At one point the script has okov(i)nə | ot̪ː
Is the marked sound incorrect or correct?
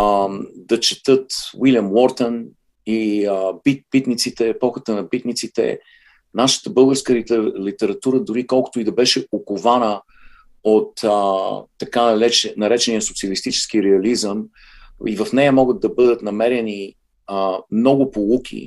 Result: incorrect